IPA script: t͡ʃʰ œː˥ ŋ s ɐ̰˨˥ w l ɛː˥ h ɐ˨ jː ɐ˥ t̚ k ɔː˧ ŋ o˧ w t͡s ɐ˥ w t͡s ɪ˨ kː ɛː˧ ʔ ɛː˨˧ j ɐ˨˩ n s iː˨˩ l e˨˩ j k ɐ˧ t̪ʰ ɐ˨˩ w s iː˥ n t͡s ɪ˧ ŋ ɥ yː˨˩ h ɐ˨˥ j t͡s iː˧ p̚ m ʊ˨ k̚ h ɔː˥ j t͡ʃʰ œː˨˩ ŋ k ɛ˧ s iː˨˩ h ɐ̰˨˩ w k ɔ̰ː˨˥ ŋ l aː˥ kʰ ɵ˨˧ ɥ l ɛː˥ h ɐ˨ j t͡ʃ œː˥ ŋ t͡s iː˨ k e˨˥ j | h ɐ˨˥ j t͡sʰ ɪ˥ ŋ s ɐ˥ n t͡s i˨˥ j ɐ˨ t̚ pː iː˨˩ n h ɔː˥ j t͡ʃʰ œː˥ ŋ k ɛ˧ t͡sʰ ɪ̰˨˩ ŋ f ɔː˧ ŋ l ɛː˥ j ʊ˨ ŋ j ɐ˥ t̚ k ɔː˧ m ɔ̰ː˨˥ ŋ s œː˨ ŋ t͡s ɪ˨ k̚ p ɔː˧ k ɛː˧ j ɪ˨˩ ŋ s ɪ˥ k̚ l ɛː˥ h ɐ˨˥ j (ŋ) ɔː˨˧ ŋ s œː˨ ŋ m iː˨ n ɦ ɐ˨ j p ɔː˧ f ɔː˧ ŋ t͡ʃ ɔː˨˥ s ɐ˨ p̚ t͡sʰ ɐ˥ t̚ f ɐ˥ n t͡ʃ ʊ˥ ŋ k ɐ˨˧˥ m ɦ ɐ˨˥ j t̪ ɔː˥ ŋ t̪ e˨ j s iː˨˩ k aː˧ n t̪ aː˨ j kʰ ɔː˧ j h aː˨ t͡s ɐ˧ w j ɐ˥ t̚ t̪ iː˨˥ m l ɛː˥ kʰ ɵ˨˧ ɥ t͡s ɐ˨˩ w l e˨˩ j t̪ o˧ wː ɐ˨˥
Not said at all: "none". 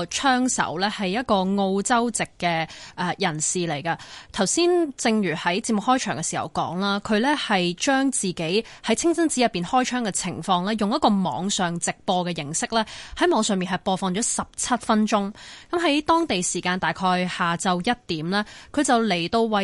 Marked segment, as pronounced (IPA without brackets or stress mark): m